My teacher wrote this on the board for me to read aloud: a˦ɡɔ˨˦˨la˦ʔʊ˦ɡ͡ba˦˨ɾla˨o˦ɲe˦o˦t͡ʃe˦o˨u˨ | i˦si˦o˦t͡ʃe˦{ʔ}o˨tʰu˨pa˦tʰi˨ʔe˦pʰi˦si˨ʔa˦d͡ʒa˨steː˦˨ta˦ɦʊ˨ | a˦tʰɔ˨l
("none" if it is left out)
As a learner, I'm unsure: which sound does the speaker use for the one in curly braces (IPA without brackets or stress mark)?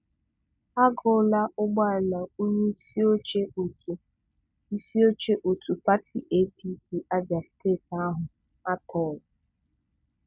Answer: ʔ